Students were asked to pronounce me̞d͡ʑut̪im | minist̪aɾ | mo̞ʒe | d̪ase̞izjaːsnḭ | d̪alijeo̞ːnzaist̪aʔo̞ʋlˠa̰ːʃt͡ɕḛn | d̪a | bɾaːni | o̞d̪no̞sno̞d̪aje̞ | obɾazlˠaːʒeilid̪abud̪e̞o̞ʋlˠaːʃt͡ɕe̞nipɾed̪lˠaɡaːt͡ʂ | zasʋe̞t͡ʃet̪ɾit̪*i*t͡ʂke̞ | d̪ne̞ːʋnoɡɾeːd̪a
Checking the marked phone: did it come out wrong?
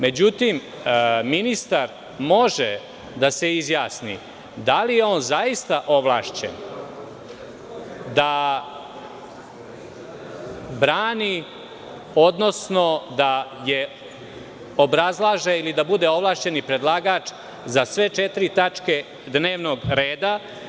yes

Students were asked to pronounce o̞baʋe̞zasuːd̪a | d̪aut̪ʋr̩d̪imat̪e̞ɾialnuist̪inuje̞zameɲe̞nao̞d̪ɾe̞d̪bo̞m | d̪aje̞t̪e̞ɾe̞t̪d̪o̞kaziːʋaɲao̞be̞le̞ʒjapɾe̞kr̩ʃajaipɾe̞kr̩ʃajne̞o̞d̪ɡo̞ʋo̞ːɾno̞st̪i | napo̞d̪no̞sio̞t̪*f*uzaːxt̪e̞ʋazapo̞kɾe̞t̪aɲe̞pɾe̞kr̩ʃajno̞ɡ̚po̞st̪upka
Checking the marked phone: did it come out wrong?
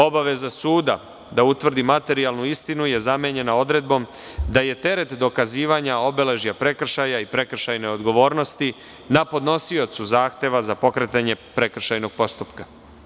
yes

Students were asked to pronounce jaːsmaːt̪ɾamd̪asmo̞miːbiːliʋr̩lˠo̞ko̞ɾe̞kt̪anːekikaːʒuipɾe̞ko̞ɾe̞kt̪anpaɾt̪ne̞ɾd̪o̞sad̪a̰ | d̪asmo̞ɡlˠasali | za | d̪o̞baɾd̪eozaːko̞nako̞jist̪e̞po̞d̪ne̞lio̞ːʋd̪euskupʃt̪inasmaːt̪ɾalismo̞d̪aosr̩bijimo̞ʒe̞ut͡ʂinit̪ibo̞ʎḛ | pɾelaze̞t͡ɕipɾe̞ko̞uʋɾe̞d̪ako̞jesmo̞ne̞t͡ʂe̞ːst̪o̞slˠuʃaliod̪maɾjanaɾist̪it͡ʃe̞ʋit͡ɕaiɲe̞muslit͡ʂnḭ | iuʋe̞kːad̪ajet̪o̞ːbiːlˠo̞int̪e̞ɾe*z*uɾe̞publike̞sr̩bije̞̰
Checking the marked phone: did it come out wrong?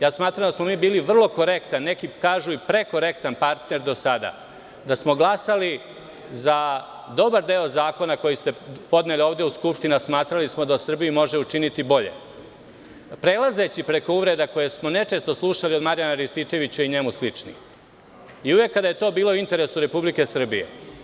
yes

